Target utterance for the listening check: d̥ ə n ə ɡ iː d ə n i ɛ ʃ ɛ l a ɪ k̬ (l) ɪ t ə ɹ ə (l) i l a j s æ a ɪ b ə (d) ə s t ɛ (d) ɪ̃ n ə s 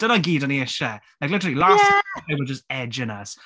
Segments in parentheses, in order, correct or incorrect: correct, correct, incorrect: d͡ʒ, incorrect: d͡ʒ

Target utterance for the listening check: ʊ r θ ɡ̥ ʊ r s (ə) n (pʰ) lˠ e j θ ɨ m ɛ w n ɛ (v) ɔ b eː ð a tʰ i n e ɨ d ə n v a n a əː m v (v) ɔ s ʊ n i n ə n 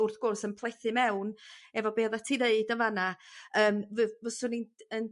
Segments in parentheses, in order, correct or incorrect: correct, correct, correct, correct

